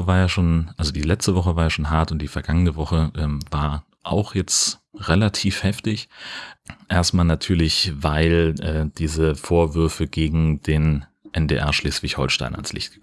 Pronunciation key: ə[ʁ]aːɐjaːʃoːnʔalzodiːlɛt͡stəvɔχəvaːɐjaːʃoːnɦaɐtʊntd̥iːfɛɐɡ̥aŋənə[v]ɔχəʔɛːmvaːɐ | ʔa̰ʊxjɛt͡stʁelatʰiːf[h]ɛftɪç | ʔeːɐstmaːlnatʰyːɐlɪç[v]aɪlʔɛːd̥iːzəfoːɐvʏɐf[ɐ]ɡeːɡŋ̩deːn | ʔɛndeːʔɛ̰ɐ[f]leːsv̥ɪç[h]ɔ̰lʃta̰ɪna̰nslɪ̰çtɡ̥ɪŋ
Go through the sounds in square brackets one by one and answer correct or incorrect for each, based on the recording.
incorrect, correct, correct, correct, incorrect, incorrect, correct

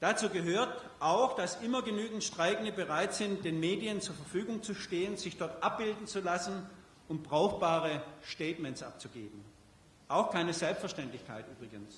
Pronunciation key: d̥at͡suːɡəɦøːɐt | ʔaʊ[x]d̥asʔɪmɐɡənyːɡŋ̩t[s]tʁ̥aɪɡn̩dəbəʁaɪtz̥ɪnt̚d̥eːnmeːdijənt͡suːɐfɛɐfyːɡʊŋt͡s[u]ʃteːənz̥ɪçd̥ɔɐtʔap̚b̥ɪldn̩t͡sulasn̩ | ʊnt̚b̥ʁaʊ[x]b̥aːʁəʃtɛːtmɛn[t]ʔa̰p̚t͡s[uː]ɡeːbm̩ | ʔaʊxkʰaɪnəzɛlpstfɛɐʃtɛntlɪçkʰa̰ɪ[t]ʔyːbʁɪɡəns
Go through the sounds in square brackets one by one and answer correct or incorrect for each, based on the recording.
correct, incorrect, correct, correct, incorrect, incorrect, correct

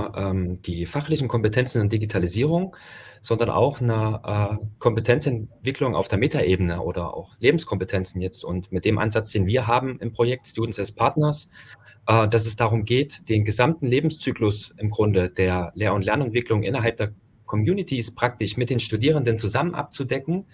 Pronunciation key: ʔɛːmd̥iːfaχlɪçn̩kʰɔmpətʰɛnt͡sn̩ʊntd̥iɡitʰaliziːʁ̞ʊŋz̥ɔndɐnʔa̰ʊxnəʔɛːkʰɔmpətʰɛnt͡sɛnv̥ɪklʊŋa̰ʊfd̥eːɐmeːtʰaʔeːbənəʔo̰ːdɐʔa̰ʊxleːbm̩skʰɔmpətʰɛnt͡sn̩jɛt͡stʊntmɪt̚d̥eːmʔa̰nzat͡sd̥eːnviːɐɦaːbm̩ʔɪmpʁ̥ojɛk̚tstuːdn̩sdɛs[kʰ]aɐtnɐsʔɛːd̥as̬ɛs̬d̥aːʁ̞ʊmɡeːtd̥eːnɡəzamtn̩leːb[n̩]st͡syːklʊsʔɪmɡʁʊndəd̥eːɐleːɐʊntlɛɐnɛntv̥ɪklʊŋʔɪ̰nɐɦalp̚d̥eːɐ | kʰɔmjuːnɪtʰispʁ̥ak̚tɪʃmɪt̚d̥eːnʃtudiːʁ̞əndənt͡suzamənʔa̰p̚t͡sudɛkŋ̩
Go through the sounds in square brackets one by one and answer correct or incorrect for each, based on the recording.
incorrect, incorrect

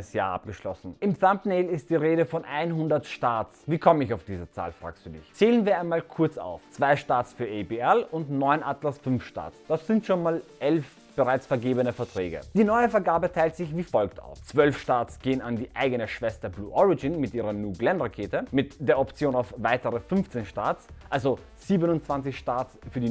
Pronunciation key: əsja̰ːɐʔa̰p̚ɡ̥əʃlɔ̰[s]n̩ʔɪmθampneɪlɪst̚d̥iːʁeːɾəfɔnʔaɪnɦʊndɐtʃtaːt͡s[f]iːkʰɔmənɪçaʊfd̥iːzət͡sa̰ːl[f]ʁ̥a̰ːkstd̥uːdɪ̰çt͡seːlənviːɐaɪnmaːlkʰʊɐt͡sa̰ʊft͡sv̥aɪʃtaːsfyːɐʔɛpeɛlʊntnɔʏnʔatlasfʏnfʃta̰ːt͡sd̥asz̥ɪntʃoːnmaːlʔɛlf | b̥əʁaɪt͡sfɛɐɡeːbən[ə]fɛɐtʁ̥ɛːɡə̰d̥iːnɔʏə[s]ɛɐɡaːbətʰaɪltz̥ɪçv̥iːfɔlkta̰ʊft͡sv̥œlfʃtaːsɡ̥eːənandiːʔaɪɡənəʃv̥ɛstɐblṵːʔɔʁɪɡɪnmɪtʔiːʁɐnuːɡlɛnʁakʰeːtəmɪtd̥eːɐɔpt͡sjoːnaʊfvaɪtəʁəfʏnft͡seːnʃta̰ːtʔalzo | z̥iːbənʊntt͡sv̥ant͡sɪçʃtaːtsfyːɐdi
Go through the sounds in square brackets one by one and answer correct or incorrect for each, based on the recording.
correct, incorrect, correct, correct, incorrect

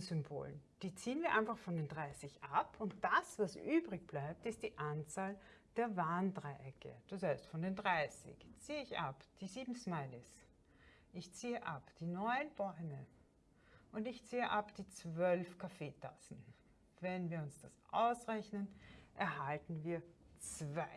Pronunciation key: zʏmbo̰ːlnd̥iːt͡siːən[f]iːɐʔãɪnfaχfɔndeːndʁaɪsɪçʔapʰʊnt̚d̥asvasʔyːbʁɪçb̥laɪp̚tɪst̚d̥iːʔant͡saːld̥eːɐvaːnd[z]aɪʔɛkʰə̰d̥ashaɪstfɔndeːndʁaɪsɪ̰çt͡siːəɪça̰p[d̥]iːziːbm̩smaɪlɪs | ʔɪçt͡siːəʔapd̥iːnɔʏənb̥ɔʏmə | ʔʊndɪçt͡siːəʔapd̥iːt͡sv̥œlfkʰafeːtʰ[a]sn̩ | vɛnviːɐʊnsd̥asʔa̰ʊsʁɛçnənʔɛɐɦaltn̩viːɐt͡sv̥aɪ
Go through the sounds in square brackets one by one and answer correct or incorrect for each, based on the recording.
incorrect, incorrect, correct, correct

